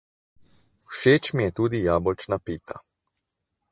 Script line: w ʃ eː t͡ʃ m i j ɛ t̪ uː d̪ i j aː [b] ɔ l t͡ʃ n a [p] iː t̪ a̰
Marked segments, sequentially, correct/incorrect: correct, correct

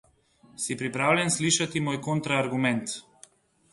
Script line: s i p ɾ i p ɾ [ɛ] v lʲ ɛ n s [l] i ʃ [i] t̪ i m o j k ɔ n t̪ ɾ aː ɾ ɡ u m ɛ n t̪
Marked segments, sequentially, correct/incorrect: incorrect, correct, incorrect

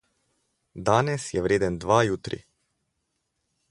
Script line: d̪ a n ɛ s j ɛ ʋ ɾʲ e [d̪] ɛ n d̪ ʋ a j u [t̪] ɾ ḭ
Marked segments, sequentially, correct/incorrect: correct, correct

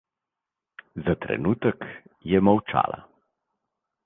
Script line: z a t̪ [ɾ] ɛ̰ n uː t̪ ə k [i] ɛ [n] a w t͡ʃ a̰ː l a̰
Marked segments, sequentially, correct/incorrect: correct, incorrect, incorrect

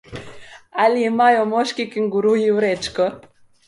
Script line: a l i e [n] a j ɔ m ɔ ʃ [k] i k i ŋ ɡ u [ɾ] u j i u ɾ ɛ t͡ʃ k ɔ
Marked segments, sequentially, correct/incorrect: incorrect, correct, correct

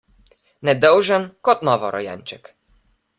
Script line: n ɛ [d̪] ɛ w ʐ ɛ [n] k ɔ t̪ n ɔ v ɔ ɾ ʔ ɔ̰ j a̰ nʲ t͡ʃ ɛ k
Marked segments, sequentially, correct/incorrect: correct, correct

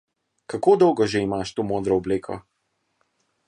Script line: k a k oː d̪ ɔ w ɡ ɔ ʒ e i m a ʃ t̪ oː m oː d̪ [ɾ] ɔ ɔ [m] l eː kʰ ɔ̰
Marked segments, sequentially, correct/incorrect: correct, incorrect

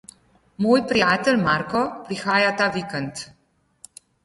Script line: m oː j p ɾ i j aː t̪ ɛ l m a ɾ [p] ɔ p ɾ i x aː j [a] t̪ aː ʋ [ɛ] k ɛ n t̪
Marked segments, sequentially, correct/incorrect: incorrect, correct, incorrect

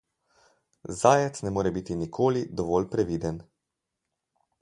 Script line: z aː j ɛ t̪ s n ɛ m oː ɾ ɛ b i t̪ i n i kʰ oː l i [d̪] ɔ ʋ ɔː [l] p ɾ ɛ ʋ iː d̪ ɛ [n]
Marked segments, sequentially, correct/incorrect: correct, correct, correct

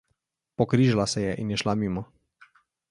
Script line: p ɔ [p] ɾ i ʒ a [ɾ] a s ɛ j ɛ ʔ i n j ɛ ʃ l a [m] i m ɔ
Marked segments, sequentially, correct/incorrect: incorrect, incorrect, correct

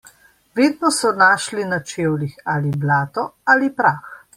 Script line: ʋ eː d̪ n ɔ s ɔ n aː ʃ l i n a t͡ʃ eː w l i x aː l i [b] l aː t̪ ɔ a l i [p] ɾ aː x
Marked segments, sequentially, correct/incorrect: correct, correct

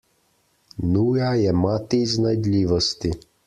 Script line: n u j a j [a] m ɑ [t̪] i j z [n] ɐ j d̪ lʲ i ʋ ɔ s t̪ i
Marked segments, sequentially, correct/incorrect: incorrect, correct, correct

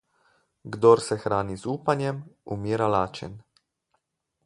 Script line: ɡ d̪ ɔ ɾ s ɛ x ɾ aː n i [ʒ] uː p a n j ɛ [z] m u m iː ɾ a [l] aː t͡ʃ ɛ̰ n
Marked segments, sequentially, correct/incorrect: incorrect, incorrect, correct

